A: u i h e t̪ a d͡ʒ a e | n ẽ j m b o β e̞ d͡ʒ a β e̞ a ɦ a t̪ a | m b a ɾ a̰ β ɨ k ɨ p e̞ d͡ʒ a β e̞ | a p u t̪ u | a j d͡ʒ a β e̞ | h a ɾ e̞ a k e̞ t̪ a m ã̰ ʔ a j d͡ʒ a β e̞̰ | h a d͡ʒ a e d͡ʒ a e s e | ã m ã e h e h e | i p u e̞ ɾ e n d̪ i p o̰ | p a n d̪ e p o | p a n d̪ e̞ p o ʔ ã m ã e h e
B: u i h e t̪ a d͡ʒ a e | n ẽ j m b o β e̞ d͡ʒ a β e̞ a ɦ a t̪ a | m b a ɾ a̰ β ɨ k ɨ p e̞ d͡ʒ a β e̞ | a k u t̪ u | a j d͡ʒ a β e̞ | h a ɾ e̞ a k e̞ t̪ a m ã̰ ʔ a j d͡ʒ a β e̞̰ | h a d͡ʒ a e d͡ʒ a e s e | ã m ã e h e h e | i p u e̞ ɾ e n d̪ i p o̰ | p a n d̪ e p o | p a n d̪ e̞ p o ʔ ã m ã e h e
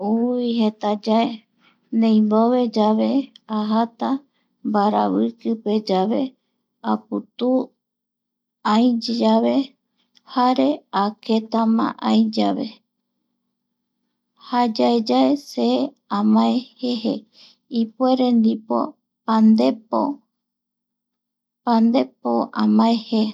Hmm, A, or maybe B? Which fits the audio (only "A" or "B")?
A